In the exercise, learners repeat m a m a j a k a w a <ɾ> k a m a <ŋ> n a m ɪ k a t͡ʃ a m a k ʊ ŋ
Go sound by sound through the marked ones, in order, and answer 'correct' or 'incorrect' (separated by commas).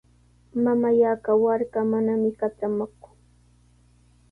correct, incorrect